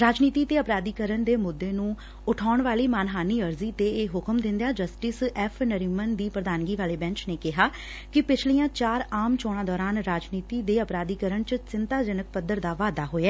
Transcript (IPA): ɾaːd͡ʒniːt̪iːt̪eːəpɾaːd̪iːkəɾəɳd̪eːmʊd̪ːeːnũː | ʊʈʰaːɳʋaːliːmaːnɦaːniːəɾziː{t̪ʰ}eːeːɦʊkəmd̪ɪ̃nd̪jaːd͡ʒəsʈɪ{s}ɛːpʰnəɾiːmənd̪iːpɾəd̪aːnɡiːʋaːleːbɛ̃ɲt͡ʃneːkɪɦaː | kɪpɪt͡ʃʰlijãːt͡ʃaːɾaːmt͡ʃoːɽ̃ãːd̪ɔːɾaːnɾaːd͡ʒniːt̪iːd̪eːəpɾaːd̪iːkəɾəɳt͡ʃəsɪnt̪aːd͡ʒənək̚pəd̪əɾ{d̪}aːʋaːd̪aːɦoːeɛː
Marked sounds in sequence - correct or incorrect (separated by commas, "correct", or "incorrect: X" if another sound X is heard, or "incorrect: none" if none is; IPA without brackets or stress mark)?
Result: incorrect: t̪, correct, correct